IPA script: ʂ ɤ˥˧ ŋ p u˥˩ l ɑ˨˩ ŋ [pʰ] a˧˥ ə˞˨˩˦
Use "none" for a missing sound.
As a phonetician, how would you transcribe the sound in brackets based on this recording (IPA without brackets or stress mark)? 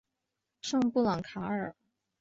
kʰ